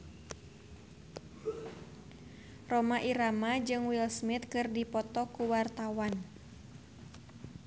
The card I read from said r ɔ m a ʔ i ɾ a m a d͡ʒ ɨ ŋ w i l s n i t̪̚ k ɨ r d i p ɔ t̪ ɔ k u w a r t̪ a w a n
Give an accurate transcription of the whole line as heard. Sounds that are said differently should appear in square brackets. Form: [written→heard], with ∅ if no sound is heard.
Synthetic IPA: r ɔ m a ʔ i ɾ a m a d͡ʒ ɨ ŋ w i l s [n→m] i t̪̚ k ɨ r d i p ɔ t̪ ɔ k u w a r t̪ a w a n